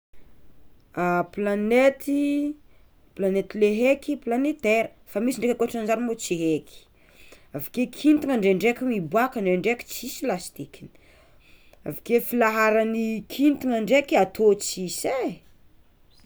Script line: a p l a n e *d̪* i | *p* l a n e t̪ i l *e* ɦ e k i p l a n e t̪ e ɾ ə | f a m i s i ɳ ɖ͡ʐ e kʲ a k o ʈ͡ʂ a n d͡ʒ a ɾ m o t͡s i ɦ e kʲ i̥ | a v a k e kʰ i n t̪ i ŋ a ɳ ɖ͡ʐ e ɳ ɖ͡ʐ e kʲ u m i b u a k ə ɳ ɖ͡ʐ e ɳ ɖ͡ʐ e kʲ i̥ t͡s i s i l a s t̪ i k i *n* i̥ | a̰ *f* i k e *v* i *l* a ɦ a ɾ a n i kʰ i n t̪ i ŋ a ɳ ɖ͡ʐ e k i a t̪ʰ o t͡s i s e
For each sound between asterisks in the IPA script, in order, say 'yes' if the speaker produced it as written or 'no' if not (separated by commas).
no, yes, yes, yes, no, no, yes